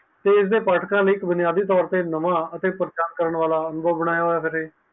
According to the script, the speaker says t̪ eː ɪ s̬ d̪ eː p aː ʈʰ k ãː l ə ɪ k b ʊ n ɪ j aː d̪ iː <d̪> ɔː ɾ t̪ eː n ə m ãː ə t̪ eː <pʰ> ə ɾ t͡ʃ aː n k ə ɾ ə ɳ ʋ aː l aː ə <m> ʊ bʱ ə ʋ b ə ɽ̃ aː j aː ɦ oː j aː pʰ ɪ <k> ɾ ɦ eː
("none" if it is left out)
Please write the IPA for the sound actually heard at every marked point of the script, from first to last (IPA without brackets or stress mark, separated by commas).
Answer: t̪, p, n, none